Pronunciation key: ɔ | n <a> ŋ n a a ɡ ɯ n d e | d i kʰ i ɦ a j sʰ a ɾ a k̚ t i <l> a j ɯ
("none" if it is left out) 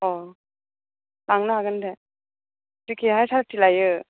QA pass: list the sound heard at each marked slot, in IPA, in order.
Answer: a, l

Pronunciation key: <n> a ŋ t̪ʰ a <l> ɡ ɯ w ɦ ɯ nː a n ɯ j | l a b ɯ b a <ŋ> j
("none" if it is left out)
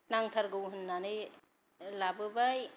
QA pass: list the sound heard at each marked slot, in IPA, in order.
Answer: n, ɾ, none

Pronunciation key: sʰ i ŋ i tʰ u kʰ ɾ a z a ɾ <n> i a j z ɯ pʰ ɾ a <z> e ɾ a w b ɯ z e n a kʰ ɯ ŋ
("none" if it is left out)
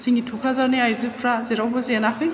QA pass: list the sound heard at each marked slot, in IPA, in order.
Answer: n, z

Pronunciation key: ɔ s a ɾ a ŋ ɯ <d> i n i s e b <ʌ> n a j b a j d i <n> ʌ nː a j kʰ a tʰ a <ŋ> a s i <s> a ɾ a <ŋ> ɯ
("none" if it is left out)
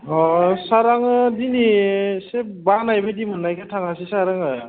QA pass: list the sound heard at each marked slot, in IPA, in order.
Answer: d, a, m, ŋ, s, ŋ

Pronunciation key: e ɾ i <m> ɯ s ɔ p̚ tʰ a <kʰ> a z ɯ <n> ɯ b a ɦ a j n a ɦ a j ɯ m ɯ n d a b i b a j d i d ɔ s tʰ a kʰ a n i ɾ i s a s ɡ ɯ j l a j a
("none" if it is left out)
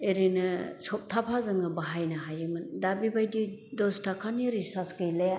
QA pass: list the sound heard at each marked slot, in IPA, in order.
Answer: n, pʰ, ŋ

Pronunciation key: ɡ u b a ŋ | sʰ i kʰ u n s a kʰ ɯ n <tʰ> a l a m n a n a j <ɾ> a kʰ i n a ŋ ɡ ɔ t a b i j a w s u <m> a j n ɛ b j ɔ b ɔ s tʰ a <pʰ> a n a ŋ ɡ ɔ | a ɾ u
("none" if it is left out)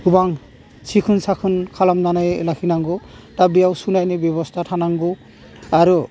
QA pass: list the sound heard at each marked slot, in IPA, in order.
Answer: kʰ, l, n, tʰ

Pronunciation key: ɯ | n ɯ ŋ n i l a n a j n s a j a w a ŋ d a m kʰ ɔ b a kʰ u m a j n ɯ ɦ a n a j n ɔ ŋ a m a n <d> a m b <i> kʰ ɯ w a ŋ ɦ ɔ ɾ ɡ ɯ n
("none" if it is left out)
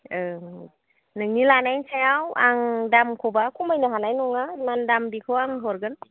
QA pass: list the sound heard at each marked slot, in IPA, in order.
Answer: d, i

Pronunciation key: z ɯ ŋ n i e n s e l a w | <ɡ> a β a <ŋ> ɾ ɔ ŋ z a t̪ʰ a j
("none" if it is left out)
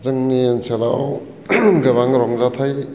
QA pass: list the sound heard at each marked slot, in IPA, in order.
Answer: ɡ, ŋ

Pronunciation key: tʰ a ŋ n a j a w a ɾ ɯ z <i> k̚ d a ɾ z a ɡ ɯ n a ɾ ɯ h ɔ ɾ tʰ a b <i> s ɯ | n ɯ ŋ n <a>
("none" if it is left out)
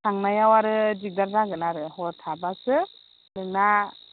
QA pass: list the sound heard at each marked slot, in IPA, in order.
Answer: i, a, a

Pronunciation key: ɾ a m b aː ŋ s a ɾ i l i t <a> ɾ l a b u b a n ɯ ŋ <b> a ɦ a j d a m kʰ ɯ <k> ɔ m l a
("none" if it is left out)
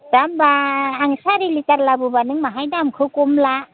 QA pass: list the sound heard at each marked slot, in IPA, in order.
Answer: a, m, k

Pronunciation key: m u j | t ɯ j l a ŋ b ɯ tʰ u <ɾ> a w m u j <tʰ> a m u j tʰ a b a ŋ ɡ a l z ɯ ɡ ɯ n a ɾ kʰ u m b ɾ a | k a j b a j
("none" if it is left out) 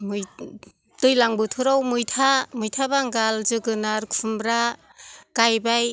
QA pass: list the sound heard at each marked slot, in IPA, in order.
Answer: ɾ, tʰ

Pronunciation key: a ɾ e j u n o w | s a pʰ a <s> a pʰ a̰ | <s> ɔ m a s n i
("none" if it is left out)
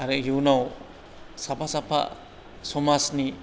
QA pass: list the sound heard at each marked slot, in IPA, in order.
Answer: s, s

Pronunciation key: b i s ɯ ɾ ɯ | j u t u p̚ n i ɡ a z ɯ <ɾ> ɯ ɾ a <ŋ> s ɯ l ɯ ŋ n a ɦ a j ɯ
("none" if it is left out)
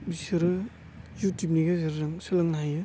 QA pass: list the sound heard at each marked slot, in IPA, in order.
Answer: ɾ, ŋ

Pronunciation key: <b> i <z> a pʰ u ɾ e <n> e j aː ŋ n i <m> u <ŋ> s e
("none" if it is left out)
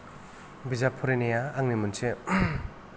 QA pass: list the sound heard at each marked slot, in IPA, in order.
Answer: b, z, n, m, n

